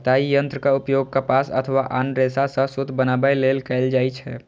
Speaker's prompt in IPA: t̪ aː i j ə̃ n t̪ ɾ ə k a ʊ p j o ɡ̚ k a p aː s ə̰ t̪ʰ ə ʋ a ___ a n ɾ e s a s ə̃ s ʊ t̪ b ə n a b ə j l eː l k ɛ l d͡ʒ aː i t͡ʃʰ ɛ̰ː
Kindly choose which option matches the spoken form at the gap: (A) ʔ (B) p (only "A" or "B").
A